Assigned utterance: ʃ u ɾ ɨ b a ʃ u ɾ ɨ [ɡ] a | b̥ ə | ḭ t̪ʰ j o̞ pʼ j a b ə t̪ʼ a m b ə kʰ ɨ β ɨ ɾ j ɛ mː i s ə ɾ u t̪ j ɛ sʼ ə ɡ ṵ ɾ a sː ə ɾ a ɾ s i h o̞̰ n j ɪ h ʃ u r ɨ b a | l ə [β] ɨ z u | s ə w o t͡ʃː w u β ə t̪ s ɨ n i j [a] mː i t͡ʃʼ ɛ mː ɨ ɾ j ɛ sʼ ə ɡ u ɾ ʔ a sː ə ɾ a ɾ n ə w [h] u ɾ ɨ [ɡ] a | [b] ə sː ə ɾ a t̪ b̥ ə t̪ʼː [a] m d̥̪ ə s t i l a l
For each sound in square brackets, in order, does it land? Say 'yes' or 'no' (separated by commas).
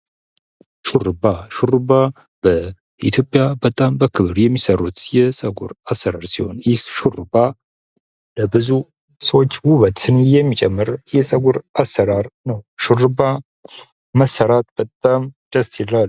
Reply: no, no, no, no, no, no, yes